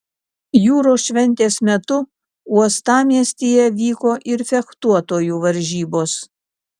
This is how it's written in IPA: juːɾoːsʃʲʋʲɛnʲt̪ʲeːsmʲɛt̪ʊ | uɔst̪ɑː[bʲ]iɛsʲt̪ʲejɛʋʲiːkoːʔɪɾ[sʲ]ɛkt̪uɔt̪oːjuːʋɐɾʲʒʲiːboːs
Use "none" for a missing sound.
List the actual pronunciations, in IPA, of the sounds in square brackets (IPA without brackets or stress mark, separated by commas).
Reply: mʲ, fʲ